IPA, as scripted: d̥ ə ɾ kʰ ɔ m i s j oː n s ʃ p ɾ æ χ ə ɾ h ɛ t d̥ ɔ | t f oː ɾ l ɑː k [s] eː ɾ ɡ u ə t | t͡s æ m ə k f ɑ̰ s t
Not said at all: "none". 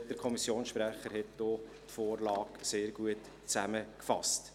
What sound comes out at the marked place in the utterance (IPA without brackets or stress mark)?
s